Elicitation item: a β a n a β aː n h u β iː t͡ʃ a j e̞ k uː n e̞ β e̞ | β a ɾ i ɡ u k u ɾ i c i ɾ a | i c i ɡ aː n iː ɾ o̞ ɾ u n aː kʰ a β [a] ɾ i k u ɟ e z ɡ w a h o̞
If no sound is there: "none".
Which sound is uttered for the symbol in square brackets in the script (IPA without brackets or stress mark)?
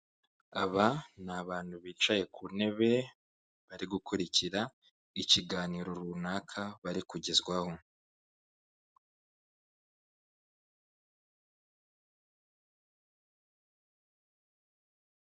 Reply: a